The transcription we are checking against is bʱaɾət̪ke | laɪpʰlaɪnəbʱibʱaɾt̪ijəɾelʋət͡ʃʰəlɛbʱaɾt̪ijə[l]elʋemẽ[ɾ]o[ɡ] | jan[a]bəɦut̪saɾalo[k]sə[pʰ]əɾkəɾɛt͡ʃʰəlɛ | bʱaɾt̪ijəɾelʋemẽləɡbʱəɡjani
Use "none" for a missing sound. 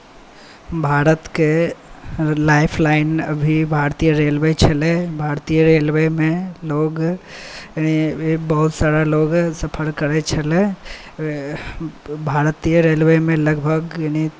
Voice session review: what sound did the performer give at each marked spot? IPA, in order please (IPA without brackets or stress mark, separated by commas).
ɾ, l, ɡ, i, ɡ, pʰ